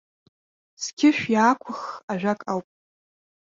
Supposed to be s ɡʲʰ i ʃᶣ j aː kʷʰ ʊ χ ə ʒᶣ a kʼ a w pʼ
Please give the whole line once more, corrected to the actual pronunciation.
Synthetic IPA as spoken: s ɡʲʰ ɪ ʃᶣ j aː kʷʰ ʊ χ a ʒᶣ a kʼ a w pʼ